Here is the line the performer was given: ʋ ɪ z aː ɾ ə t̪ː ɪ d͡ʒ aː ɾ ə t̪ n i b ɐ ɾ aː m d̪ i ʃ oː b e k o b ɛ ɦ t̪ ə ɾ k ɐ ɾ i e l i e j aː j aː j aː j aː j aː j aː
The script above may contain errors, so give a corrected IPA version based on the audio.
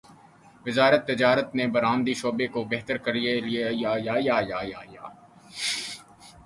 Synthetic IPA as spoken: ʋ ɪ z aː ɾ ə t̪ː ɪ d͡ʒ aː ɾ ə t̪ n e b ɐ ɾ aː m d̪ i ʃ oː b e k o b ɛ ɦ t̪ ə ɾ k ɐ ɾ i e l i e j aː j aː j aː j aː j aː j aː

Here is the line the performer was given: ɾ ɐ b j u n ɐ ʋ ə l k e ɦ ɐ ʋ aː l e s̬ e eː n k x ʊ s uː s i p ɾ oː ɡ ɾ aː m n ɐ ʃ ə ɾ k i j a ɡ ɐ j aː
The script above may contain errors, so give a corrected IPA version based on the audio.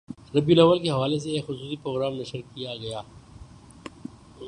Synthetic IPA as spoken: ɾ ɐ b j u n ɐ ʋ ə l k e ɦ ɐ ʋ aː l e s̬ e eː k x ʊ s uː s i p ɾ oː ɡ ɾ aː m n ɐ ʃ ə ɾ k i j a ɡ ɐ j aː

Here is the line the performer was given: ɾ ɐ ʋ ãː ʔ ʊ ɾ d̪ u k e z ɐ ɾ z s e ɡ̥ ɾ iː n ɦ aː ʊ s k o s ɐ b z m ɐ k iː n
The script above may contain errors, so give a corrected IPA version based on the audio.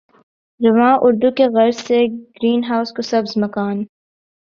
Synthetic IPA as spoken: ɾ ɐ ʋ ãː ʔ ʊ ɾ d̪ u k e ɣ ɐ ɾ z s e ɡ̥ ɾ iː n ɦ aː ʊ s k o s ɐ b z m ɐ k aː n

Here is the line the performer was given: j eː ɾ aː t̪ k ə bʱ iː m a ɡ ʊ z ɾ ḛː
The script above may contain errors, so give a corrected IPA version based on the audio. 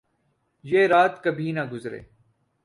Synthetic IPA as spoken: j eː ɾ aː t̪ k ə bʱ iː n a ɡ ʊ z ɾ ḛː

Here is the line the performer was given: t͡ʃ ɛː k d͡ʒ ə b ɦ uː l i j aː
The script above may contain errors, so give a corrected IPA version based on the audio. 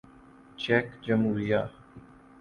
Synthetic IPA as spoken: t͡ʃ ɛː k d͡ʒ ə m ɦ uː ɾ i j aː

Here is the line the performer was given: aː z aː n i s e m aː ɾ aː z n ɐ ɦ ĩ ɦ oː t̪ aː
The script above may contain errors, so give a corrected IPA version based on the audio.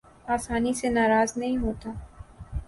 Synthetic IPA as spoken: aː s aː n i s e n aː ɾ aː z n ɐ ɦ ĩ ɦ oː t̪ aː

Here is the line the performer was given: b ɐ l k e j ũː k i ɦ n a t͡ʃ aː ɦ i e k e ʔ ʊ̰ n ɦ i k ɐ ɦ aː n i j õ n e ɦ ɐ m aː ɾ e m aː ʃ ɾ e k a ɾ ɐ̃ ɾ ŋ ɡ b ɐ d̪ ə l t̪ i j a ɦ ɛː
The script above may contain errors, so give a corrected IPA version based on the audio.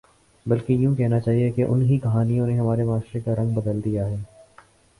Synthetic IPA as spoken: b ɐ l k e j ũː k ɛ ɦ n a t͡ʃ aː ɦ i e k e ʔ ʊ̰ n ɦ i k ɐ ɦ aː n i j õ n e ɦ ɐ m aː ɾ e m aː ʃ ɾ e k a ɾ ɐ̃ ŋ ɡ b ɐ d̪ ə l d̪ i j a ɦ ɛː

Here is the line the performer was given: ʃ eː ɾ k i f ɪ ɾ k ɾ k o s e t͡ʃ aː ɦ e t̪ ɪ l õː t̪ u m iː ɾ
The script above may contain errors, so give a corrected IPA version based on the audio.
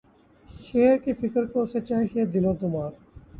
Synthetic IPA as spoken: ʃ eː ɾ k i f ɪ k ɾ k o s e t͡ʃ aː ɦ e d̪ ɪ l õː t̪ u m aː ɾ

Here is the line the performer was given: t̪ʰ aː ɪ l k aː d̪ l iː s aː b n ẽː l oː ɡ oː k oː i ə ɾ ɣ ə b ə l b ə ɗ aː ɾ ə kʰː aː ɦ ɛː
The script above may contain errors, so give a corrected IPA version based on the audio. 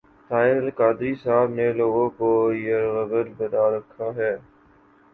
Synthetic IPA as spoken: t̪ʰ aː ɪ l k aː d̪ ɾ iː s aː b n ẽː l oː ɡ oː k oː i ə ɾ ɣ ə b ə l b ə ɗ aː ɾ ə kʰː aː ɦ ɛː

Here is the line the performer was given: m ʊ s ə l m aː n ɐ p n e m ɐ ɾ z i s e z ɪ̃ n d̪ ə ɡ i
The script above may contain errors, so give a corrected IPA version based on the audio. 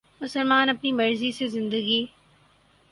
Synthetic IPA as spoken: m ʊ s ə l m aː n ɐ p n i m ɐ ɾ z i s e z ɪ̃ n d̪ ə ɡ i

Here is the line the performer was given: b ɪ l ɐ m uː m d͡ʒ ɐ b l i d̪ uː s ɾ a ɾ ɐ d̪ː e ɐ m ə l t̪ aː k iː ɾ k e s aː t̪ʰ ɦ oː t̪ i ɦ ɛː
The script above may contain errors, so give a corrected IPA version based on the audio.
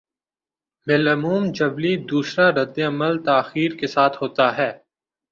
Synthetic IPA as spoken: b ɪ l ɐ m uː m d͡ʒ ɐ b l i d̪ uː s ɾ a ɾ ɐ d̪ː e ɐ m ə l t̪ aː x iː ɾ k e s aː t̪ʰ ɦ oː t̪ a ɦ ɛː

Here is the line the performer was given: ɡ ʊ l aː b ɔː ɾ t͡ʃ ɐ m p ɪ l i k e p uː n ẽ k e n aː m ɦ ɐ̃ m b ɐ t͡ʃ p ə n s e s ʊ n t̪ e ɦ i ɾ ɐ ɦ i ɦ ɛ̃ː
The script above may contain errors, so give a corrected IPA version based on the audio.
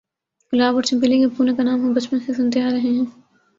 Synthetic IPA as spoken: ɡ ʊ l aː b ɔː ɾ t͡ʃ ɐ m p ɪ l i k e p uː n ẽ k a n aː m ɦ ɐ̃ m b ɐ t͡ʃ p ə n s e s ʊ n t̪ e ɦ a ɾ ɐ ɦ e ɦ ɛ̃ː

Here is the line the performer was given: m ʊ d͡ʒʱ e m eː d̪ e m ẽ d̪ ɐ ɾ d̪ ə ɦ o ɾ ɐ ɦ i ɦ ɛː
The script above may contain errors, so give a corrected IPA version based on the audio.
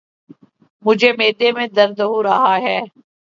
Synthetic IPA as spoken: m ʊ d͡ʒʱ e m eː d̪ e m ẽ d̪ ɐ ɾ d̪ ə ɦ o ɾ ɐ ɦ a ɦ ɛː

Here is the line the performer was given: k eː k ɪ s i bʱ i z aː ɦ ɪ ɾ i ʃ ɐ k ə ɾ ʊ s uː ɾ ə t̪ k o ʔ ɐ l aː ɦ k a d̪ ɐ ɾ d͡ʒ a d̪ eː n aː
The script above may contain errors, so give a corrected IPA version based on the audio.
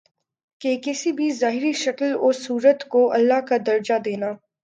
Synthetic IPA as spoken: k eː k ɪ s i bʱ i z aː ɦ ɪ ɾ i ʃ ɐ k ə l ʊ s uː ɾ ə t̪ k o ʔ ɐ lː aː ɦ k a d̪ ɐ ɾ d͡ʒ a d̪ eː n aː

